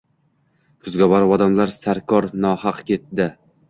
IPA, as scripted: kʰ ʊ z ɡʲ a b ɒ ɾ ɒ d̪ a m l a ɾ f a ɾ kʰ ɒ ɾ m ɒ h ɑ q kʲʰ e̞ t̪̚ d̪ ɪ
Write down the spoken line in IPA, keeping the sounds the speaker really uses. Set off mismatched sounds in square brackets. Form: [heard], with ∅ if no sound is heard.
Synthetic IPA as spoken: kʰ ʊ z ɡʲ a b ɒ ɾ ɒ d̪ a m l a ɾ [s] a ɾ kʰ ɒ ɾ [n] ɒ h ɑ q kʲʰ e̞ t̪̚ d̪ ɪ